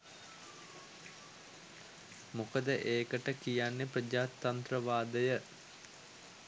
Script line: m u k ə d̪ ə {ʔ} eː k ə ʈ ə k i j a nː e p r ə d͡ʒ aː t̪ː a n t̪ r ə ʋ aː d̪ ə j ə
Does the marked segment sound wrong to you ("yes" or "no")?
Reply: no